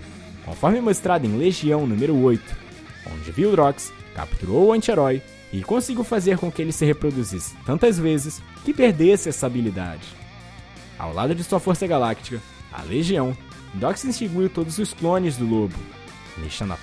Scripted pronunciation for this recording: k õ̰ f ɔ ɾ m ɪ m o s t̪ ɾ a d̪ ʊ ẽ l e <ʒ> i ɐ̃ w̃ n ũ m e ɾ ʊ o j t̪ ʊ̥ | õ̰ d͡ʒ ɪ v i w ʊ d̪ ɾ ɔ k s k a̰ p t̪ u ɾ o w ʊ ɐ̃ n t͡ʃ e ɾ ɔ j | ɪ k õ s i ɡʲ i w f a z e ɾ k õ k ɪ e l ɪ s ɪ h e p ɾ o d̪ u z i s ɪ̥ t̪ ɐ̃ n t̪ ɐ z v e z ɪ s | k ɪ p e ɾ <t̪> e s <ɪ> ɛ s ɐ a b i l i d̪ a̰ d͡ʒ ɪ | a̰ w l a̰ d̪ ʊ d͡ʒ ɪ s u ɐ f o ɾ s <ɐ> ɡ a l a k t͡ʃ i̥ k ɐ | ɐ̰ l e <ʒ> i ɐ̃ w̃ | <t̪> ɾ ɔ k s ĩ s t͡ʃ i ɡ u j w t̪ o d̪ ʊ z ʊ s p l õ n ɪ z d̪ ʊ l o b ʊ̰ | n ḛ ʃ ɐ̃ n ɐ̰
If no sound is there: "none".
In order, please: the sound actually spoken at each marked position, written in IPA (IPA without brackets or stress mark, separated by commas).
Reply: ʒ, d̪, ɪ, ɐ, ʒ, d̪